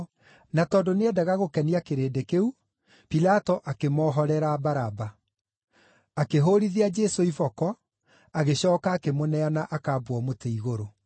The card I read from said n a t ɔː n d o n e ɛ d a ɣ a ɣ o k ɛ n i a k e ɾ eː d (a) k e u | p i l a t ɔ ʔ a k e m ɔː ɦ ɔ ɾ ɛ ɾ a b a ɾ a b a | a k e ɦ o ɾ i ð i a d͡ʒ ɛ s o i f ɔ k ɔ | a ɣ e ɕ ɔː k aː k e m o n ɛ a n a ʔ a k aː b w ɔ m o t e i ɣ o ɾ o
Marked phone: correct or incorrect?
incorrect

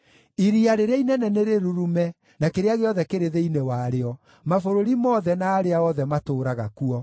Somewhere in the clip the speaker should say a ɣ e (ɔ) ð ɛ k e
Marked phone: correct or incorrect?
correct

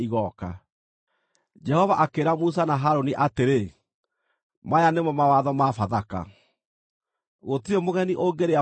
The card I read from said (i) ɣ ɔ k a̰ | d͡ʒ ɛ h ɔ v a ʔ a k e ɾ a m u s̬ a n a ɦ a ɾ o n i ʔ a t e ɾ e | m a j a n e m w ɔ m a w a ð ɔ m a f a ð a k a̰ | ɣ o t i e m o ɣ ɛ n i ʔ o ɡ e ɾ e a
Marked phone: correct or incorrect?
correct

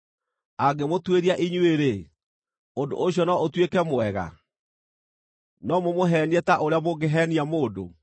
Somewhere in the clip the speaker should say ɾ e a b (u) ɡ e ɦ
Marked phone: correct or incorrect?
incorrect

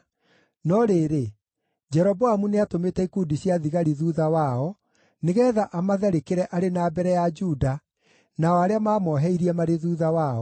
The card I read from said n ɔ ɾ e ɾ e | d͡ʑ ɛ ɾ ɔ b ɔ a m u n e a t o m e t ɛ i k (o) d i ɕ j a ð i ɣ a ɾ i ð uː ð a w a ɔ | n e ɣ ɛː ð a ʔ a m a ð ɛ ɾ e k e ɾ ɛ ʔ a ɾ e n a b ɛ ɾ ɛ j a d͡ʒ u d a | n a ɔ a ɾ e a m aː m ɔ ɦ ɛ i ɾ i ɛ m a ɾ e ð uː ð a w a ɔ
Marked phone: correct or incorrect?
incorrect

